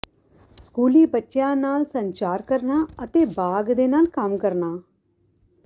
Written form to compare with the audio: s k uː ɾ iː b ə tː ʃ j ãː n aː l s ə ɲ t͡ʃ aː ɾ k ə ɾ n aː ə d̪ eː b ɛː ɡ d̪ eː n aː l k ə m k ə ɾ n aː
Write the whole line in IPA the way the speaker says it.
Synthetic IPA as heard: s k uː l iː b ə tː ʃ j ãː n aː l s ə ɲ t͡ʃ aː ɾ k ə ɾ n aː ə t̪ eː b aː ɡ d̪ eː n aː l k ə m k ə ɾ n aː